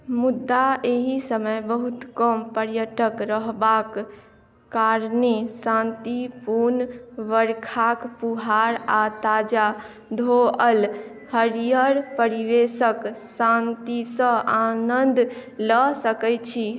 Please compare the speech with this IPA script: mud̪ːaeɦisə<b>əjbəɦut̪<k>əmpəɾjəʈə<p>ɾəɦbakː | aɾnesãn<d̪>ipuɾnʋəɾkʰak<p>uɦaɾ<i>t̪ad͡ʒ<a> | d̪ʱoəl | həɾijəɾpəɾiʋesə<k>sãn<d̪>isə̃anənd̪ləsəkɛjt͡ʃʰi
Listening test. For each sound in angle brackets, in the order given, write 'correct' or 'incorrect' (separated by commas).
incorrect, correct, incorrect, incorrect, correct, incorrect, correct, correct, incorrect